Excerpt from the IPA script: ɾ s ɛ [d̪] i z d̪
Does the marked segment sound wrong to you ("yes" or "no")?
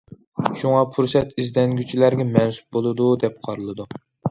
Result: yes